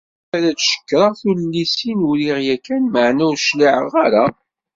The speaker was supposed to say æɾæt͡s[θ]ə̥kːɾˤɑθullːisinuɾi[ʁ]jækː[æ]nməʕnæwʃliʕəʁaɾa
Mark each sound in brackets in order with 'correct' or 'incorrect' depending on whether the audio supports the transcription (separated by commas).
incorrect, correct, correct